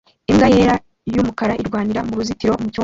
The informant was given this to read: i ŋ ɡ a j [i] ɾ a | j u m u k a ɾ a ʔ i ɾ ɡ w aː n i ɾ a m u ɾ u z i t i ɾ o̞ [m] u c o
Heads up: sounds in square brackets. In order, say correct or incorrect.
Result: incorrect: e, correct

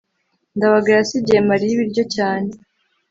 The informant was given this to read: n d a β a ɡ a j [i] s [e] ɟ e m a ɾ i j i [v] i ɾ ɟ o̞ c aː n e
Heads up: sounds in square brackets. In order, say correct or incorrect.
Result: incorrect: a, incorrect: i, incorrect: β

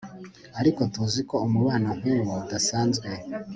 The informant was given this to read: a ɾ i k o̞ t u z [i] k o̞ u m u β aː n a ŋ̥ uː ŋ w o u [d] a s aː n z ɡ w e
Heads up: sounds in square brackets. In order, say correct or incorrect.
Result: correct, correct

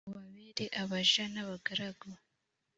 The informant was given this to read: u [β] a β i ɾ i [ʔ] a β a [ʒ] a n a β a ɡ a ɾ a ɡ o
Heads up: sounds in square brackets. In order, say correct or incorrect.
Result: correct, correct, correct

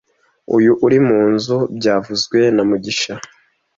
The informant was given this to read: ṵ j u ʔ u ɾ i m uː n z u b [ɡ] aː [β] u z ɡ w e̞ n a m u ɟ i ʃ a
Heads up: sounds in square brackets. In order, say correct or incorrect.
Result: incorrect: ɟ, incorrect: v

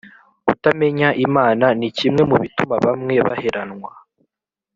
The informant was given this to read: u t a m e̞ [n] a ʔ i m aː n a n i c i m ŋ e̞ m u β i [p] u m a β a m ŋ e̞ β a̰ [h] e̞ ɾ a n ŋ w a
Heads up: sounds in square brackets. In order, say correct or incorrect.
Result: incorrect: ɲ, incorrect: t, correct

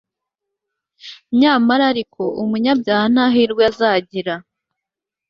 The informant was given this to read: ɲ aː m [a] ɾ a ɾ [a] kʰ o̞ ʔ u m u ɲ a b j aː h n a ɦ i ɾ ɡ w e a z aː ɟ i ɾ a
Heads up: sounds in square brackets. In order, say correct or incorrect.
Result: correct, incorrect: i

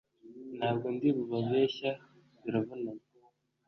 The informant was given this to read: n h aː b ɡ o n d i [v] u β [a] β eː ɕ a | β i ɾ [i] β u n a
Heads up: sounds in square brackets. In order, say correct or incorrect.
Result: incorrect: β, correct, incorrect: a

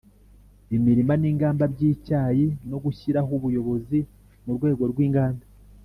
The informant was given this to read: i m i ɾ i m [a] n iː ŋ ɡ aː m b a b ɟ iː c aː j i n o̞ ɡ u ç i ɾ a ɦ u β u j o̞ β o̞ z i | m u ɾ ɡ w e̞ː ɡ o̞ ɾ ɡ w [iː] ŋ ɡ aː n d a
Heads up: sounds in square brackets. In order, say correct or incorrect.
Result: correct, correct

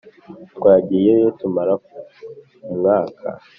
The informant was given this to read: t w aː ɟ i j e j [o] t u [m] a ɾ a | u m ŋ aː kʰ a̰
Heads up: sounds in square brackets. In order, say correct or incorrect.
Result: correct, correct

